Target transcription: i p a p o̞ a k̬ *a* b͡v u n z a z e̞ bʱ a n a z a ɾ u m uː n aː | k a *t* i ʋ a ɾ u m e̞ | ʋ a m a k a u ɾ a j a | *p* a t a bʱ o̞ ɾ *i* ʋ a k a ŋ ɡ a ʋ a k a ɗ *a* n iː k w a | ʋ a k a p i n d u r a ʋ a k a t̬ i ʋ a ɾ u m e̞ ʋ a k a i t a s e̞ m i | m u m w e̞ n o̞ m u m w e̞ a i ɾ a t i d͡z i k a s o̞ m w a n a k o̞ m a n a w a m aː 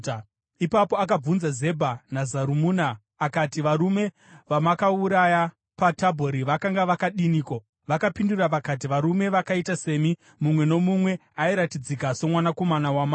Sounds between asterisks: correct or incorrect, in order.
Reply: correct, correct, correct, correct, incorrect: i

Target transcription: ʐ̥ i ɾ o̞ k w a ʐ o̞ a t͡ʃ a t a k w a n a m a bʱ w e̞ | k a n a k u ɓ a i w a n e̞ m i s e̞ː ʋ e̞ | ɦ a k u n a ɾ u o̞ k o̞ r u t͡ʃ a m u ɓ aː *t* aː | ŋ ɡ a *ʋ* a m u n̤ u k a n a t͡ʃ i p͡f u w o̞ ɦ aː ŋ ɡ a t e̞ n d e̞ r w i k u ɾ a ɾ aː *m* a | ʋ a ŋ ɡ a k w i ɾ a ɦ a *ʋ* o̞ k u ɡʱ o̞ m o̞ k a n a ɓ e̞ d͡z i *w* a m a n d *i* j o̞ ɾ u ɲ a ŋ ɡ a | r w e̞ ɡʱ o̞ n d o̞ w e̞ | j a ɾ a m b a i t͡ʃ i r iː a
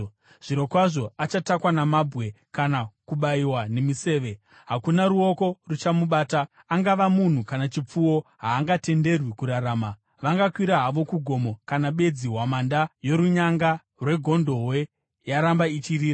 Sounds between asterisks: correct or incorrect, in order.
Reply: correct, correct, correct, correct, correct, incorrect: a

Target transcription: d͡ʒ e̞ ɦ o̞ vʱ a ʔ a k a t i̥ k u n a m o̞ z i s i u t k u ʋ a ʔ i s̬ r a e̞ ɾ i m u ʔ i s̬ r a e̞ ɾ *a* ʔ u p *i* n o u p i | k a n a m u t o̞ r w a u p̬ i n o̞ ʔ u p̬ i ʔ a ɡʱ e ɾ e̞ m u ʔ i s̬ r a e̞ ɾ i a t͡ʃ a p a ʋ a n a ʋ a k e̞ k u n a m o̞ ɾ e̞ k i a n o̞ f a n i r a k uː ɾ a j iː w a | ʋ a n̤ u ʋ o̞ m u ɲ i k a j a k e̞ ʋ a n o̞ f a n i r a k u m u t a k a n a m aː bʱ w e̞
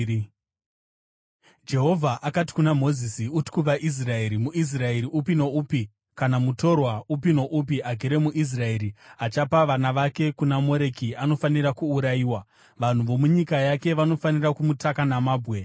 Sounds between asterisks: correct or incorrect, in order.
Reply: incorrect: i, correct

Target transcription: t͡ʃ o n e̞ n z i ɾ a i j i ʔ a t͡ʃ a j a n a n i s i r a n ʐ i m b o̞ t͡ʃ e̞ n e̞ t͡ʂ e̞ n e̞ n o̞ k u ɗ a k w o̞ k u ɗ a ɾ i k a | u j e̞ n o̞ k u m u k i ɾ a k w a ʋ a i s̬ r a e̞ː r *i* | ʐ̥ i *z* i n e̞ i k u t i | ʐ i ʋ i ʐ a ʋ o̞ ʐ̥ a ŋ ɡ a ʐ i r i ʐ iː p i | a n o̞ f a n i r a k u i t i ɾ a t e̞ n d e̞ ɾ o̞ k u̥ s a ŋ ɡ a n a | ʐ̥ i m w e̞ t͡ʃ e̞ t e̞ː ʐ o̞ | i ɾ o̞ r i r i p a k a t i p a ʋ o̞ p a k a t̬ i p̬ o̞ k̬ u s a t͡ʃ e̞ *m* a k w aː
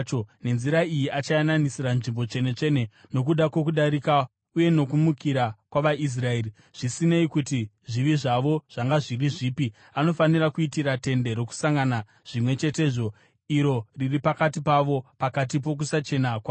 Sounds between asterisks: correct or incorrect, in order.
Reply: correct, incorrect: s, incorrect: n

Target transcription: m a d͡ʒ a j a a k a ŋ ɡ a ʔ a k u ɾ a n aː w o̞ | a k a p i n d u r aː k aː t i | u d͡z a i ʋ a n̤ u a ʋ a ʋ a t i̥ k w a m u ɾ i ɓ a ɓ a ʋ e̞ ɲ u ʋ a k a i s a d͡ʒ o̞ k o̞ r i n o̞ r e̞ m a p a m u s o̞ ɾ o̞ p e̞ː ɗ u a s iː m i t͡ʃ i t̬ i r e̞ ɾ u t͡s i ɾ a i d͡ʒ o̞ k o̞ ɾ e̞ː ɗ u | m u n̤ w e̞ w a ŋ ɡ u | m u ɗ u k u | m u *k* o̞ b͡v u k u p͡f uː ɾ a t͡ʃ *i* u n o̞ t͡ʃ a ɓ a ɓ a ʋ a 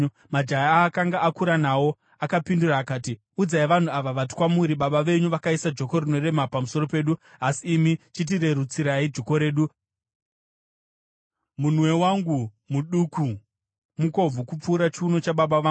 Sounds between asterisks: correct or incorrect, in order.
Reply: correct, correct

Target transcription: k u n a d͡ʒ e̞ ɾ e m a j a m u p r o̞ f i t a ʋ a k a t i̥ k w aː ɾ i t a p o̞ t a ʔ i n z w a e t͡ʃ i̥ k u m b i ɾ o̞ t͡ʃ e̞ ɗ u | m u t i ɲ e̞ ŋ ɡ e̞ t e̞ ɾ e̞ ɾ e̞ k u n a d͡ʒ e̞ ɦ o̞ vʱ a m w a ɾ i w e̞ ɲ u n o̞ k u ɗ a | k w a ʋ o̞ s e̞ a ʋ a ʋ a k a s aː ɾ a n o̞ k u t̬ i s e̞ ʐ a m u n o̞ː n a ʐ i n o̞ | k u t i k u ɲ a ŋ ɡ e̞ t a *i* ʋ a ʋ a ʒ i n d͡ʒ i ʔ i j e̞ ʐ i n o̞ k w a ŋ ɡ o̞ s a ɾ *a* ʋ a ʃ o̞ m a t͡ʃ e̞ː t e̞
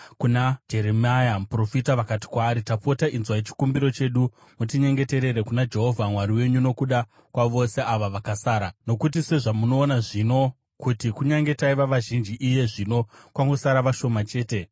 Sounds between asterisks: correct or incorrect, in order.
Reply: correct, correct

